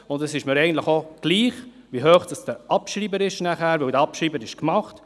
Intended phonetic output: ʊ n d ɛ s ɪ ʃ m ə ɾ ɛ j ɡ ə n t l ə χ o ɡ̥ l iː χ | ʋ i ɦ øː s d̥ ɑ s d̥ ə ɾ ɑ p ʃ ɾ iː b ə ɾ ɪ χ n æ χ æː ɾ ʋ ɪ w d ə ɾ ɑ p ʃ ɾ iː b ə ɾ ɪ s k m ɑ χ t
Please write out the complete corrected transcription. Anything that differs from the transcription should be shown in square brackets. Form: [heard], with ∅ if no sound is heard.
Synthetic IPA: ʊ n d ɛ s ɪ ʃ m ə ɾ ɛ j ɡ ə n t l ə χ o ɡ̥ l iː χ | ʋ i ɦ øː [χ] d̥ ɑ s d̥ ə ɾ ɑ p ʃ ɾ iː b ə ɾ ɪ [ʃ] n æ χ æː ɾ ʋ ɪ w d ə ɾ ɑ p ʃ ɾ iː b ə ɾ ɪ [ʃ] k m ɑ χ t

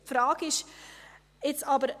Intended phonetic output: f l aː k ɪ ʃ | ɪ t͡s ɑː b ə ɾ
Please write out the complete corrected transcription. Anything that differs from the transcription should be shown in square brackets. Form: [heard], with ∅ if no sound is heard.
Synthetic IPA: f [ɾ] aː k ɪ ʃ | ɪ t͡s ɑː b ə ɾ

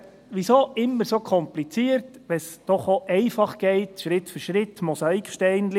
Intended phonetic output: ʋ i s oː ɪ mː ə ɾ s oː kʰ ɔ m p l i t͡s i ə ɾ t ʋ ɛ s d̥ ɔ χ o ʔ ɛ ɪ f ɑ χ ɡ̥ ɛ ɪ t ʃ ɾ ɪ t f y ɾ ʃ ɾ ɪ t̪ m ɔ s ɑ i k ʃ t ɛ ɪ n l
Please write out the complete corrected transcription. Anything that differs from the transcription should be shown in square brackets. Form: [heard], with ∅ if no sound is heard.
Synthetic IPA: ʋ i s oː ɪ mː ə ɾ s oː kʰ ɔ m p l i t͡s i ə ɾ t ʋ ɛ s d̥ ɔ χ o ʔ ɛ ɪ f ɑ χ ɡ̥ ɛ ɪ t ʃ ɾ ɪ t f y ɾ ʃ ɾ ɪ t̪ m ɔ s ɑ i k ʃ t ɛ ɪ n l

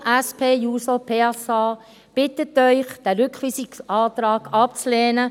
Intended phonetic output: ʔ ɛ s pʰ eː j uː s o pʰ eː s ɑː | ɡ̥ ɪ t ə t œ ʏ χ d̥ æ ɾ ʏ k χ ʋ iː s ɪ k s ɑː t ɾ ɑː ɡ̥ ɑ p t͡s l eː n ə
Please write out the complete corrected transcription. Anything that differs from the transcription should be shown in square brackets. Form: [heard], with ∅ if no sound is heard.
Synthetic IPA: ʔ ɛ s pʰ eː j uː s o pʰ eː s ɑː | [b̥] ɪ t ə t œ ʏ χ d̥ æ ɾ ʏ k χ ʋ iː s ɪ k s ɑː t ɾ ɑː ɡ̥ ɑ p t͡s l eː n ə

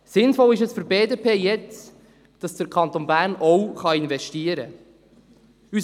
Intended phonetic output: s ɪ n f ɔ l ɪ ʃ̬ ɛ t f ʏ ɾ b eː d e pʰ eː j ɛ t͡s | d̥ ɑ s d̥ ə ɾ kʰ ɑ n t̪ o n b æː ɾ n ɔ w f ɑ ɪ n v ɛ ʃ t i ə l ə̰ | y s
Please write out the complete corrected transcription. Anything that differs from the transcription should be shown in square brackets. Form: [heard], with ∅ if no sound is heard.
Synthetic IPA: s ɪ n f ɔ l ɪ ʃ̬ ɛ [s] f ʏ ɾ b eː d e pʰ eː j ɛ t͡s | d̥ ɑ s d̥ ə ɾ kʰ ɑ n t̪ o n b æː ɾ n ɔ w [χ] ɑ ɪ n v ɛ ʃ t i ə [ɾ] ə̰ | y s

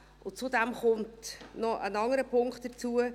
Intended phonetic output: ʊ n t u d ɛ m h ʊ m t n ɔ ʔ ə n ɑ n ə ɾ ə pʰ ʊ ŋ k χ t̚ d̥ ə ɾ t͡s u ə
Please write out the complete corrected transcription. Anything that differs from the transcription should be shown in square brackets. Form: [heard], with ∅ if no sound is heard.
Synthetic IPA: ʊ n [t͡s] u d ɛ m [χ] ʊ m t n ɔ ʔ ə n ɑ [ŋ] ə ɾ ə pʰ ʊ ŋ k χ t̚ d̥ ə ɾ t͡s u ə

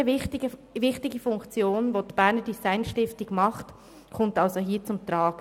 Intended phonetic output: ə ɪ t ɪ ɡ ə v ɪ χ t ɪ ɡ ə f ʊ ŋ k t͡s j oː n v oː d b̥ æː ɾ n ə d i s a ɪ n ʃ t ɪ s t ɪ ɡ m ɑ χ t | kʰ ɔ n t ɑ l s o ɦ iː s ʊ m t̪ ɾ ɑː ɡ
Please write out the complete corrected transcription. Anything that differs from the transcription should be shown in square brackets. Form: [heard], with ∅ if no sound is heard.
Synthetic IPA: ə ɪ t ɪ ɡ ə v ɪ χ t ɪ ɡ ə f ʊ ŋ k t͡s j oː n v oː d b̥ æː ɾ n ə d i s a ɪ n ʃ t ɪ [f] t ɪ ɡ m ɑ χ t | kʰ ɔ [m] t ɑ l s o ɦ iː [t͡s] ʊ m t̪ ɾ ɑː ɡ

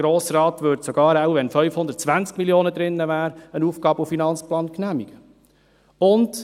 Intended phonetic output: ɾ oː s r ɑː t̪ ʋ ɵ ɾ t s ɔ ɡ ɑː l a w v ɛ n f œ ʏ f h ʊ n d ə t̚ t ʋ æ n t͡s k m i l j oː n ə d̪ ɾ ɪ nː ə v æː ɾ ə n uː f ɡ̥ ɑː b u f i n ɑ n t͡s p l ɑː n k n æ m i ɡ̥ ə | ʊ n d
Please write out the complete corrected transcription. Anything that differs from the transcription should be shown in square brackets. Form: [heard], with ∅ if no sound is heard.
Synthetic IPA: ɾ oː s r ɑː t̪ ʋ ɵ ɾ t s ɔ ɡ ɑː [ɾ] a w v ɛ n f œ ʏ f h ʊ n d ə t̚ [t͡s] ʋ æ n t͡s k m i l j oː n ə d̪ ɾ ɪ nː ə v æː ɾ ə n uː f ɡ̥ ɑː b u f i n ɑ n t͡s p l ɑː n k n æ m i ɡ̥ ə | ʊ n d

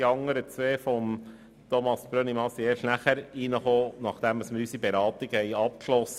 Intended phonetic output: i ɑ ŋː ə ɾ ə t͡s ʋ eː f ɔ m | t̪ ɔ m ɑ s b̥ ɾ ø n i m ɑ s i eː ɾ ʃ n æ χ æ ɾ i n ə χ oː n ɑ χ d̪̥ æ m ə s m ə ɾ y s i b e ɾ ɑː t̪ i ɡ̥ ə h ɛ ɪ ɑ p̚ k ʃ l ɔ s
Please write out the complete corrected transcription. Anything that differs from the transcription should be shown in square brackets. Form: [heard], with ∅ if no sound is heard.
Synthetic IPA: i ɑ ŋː ə ɾ ə t͡s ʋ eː f ɔ m | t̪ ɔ m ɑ s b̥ ɾ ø n i m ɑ s i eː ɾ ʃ n æ χ æ ɾ i n ə χ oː n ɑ χ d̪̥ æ m ə s m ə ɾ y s i b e ɾ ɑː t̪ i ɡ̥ ə h ɛ ɪ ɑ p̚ k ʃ l ɔ s

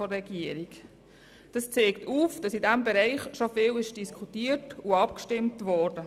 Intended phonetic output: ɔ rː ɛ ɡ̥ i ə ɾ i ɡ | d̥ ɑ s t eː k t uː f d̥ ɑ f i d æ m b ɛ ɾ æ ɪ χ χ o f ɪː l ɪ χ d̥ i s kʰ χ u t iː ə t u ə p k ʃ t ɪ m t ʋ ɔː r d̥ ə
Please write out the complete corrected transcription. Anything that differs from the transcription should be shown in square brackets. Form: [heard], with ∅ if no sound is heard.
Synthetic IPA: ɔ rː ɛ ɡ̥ i ə ɾ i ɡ | d̥ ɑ s [t͡s] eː k t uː f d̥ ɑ [s] i d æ m b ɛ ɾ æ ɪ χ [ʃ] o f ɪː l ɪ [ʃ] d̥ i s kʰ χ u t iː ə t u [ɑ] p k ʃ t ɪ m t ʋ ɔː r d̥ ə

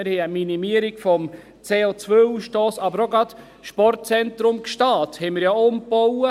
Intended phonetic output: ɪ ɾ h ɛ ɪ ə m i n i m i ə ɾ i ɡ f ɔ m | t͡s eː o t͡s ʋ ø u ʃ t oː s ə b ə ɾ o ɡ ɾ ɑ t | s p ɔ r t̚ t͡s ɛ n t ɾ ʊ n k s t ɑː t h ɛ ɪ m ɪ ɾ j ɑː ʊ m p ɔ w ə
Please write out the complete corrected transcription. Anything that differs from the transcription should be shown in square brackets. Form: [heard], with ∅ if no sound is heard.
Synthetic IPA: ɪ ɾ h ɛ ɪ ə m i n i m i ə ɾ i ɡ f ɔ m | t͡s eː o t͡s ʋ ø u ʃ t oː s [ɑ] b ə ɾ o ɡ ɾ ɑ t | [ʃ] p ɔ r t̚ t͡s ɛ n t ɾ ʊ [m] k [ʃ] t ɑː t h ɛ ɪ m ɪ ɾ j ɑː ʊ m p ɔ w ə

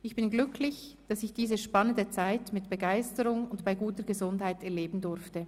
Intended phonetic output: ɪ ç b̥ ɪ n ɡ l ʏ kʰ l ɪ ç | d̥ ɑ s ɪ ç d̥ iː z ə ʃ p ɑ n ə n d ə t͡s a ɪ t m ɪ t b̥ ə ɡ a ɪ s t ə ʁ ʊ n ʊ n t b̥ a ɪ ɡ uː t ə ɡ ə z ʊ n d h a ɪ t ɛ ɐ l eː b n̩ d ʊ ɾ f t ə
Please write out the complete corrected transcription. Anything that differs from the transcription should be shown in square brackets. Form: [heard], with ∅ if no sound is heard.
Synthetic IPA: ɪ ç b̥ ɪ n ɡ l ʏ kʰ l ɪ ç | d̥ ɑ s ɪ ç d̥ iː z ə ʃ p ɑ n ə n d ə t͡s a ɪ t m ɪ t b̥ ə ɡ a ɪ s t ə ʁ ʊ [ŋ] ʊ n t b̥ a ɪ ɡ uː t ə ɡ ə z ʊ n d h a ɪ t ɛ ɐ l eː b n̩ d ʊ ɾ f t ə

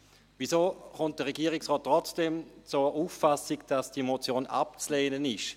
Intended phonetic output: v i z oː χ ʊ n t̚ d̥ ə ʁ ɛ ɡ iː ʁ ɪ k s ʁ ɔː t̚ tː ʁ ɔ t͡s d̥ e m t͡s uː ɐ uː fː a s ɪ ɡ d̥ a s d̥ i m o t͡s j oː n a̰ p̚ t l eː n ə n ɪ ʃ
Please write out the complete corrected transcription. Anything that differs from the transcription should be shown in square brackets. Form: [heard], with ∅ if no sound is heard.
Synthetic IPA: v i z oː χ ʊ n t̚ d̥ ə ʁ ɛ ɡ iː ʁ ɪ k s ʁ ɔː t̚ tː ʁ ɔ t͡s d̥ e m t͡s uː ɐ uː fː a s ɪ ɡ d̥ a s d̥ i m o t͡s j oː n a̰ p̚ [t͡s] l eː n ə n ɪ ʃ

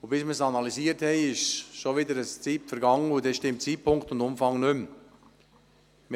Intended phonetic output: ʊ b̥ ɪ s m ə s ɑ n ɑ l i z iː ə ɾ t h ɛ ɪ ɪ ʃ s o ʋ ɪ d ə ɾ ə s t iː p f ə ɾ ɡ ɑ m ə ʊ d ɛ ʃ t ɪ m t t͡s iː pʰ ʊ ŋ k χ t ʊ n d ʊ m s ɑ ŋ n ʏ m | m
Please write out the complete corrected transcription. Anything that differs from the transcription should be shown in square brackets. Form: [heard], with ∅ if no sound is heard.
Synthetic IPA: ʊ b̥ ɪ s m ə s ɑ n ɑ l i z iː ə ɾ t h ɛ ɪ ɪ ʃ [ʃ] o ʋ ɪ d ə ɾ ə s [t͡s] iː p f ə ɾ ɡ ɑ [ŋ] ə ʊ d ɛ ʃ t ɪ m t t͡s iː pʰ ʊ ŋ k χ t ʊ n d ʊ m [f] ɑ ŋ n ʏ m | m

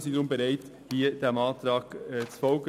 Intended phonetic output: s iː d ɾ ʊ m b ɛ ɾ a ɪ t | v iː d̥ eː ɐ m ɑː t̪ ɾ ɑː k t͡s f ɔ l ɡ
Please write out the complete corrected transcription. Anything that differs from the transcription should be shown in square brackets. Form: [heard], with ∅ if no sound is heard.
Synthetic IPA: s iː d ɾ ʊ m b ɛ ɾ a ɪ t | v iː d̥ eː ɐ m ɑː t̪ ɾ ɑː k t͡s f ɔ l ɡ

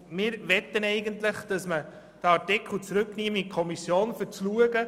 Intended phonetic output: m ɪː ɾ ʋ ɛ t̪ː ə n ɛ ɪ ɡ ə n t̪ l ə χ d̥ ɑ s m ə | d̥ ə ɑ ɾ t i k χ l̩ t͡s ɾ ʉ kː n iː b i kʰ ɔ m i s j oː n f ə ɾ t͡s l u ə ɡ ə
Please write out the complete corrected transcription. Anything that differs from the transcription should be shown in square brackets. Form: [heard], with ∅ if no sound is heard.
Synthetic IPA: m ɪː ɾ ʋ ɛ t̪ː ə n ɛ ɪ ɡ ə n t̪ l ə χ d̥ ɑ s m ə | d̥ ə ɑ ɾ t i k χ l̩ t͡s ɾ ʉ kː n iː [m] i kʰ ɔ m i s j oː n f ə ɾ t͡s l u ə ɡ ə

